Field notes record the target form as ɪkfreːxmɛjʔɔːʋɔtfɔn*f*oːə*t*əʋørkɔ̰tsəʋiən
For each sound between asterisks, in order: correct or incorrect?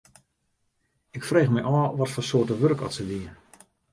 incorrect, correct

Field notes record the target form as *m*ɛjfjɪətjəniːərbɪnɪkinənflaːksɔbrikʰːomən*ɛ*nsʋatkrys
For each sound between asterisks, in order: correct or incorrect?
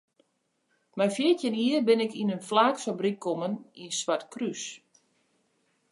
correct, incorrect

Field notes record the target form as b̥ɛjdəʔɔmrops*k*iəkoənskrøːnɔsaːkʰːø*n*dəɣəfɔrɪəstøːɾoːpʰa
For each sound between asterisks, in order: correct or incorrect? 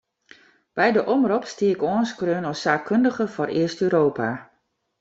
incorrect, correct

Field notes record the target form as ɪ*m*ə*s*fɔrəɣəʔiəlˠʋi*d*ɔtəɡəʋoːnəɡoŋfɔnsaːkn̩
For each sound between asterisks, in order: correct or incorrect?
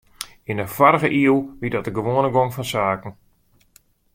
incorrect, incorrect, correct

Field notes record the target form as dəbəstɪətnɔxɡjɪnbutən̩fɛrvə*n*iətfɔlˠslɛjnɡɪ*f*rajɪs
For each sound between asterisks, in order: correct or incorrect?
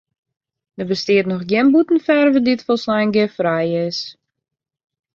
incorrect, correct

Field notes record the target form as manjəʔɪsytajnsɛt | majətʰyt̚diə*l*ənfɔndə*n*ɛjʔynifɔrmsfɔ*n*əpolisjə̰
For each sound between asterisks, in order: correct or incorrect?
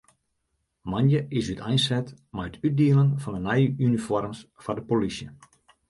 correct, correct, incorrect

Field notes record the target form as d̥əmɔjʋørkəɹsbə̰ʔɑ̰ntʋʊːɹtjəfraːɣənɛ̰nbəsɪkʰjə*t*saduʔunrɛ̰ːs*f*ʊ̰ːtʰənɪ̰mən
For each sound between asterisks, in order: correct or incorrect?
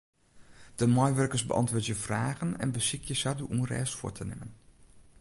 incorrect, correct

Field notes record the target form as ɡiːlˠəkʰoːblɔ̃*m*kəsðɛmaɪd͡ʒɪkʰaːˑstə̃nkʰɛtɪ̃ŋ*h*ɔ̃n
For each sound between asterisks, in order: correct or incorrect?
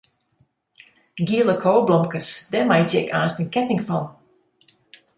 correct, incorrect

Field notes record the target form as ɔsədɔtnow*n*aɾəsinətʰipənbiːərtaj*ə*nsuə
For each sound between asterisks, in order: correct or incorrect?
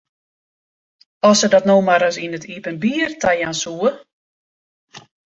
incorrect, incorrect

